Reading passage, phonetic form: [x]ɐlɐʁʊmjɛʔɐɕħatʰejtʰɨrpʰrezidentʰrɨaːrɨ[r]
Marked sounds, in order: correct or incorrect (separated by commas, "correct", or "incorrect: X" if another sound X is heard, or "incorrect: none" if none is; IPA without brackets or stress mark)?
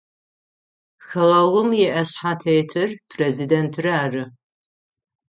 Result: correct, incorrect: none